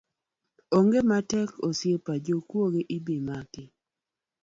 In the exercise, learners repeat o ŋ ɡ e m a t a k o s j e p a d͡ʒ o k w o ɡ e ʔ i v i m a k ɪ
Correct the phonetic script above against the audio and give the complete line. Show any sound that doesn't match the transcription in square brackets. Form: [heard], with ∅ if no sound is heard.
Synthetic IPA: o ŋ ɡ e m a t [ɛ] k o s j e p a d͡ʒ o k w o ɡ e ʔ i [b] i m a k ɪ